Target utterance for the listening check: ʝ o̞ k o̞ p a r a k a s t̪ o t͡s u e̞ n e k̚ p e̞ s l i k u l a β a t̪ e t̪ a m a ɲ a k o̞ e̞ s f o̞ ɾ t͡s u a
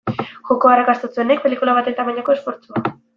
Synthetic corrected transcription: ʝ o̞ k o̞ a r a k a s t̪ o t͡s u e̞ n e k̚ p e̞ l i k u l a β a t̪ e t̪ a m a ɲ a k o̞ e̞ s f o̞ ɾ t͡s u a

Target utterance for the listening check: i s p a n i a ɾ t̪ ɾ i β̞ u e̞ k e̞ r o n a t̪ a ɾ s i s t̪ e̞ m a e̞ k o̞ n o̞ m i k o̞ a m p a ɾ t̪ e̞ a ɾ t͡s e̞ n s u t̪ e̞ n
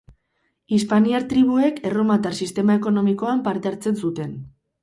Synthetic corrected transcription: i s p a n i a ɾ t̪ ɾ i β̞ u e̞ k e̞ r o m a t̪ a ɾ s i s t̪ e̞ m a e̞ k o̞ n o̞ m i k o̞ a m p a ɾ t̪ e̞ a ɾ t͡s e̞ n s u t̪ e̞ n

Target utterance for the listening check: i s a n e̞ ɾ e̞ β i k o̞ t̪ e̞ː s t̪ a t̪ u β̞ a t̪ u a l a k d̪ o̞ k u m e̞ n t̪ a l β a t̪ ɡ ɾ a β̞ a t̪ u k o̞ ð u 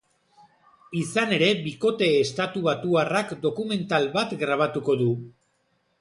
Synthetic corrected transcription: i s a n e̞ ɾ e̞ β i k o̞ t̪ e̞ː s t̪ a t̪ u β̞ a t̪ u a r a k d̪ o̞ k u m e̞ n t̪ a l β a t̪ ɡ ɾ a β̞ a t̪ u k o̞ ð u

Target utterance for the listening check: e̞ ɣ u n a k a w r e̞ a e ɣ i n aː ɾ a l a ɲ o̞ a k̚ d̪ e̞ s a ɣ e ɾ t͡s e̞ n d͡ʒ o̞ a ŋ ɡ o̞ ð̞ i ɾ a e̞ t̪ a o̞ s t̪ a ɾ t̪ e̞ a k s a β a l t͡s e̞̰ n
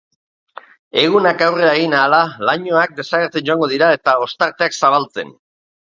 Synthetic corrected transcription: e̞ ɣ u n a k a w r e̞ a e ɣ i n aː l a l a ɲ o̞ a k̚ d̪ e̞ s a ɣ e ɾ t͡s e̞ n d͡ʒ o̞ a ŋ ɡ o̞ ð̞ i ɾ a e̞ t̪ a o̞ s t̪ a ɾ t̪ e̞ a k s a β a l t͡s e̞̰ n

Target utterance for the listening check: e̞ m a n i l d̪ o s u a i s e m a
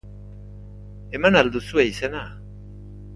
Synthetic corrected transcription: e̞ m a n a l d̪ u s u e i s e n a

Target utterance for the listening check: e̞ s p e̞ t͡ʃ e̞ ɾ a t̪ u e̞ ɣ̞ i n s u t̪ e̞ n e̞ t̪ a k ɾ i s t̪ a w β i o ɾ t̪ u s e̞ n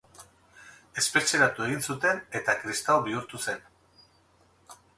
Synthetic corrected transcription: e̞ s p e̞ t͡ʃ e̞ ɾ a t̪ u e̞ ɣ̞ i n s u t̪ e̞ n e̞ t̪ a k ɾ i s t̪ a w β i u ɾ t̪ u s e̞ n

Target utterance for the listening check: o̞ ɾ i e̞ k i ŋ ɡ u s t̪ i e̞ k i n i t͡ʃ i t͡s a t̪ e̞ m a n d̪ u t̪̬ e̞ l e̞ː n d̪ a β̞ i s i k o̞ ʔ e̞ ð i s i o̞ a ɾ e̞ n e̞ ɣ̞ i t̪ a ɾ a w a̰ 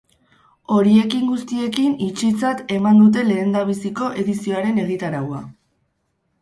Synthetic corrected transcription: o̞ ɾ i e̞ k i ŋ ɡ u s t̪ i e̞ k i n i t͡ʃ i t͡s a t̪ e̞ m a n d̪ u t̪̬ e̞ l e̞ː n d̪ a β̞ i s i k o̞ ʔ e̞ ð i s i o̞ a ɾ e̞ n e̞ ɣ̞ i t̪ a ɾ a w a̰

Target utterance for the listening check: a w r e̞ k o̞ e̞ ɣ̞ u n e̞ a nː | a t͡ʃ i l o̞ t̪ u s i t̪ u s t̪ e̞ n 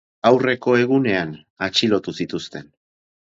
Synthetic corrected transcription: a w r e̞ k o̞ e̞ ɣ̞ u n e̞ a n | a t͡ʃ i l o̞ t̪ u s i t̪ u s t̪ e̞ n

